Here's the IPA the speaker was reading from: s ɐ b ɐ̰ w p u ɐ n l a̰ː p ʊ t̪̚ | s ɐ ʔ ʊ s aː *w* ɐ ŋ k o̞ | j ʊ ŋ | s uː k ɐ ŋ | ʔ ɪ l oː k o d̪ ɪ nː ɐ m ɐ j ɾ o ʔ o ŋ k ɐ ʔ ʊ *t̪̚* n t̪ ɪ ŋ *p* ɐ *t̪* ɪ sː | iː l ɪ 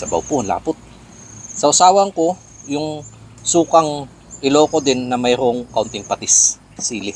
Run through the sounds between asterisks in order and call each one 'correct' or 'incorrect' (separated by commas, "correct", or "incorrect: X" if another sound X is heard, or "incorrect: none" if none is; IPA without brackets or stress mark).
correct, incorrect: none, correct, correct